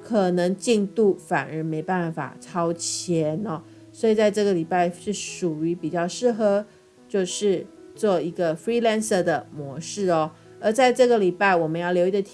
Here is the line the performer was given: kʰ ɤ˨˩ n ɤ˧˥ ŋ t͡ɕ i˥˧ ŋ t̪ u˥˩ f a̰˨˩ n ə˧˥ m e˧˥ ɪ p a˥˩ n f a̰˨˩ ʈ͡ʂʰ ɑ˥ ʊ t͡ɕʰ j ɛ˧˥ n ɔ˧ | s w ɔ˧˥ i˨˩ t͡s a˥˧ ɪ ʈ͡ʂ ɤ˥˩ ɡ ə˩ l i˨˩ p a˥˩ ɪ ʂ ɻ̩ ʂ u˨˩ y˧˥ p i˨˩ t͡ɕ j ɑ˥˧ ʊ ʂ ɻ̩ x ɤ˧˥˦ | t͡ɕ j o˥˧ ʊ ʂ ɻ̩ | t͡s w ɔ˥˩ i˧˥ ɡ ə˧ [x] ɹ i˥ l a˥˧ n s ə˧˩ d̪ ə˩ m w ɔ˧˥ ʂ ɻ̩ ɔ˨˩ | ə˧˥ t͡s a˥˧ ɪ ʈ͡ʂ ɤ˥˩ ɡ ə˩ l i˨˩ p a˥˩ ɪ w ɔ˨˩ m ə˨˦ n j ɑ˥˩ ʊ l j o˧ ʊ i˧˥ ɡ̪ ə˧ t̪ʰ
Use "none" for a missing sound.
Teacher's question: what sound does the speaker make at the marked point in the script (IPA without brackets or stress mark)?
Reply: f